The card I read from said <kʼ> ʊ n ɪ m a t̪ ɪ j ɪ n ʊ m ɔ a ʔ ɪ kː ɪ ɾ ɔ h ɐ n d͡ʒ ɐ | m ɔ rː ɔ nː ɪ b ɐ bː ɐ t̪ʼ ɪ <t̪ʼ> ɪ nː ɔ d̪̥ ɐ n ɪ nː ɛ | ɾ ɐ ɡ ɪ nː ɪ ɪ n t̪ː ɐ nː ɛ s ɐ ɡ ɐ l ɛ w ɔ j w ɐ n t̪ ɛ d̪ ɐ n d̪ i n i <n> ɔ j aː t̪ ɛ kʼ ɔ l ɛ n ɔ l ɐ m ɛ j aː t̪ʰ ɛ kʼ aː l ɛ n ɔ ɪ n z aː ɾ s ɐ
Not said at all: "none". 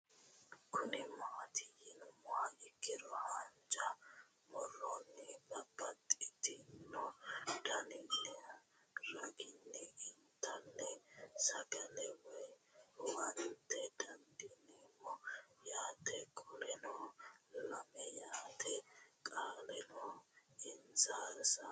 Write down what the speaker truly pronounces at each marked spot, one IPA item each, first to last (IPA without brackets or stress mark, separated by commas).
k, t̪, m